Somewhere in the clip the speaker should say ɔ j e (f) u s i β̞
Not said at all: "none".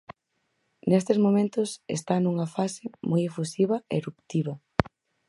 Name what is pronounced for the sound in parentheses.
f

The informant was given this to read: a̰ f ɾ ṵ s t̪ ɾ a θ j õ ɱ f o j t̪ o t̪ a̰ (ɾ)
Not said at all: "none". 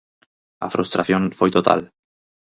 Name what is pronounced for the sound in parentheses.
l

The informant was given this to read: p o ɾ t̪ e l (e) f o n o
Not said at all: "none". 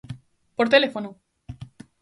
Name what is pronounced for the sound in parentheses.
e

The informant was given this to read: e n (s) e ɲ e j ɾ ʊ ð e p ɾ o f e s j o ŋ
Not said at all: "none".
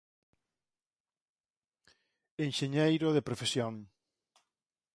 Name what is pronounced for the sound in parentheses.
ʃ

